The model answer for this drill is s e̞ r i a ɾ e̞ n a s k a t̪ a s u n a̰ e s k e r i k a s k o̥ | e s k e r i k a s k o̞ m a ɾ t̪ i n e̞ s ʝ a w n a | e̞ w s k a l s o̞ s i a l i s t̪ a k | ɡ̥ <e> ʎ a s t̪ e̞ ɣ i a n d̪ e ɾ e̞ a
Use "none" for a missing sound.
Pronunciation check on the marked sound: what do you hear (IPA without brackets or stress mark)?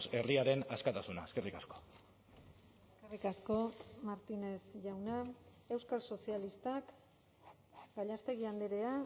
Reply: a